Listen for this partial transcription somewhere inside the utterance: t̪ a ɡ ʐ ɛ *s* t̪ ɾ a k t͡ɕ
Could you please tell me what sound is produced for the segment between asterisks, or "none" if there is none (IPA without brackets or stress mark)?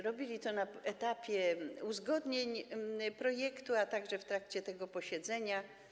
f